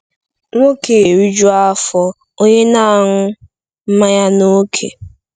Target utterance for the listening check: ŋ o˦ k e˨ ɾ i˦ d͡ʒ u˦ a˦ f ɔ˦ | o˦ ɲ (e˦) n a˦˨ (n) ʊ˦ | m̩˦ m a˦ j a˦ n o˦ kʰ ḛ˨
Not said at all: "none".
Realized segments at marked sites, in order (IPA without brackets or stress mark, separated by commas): e˦, ŋ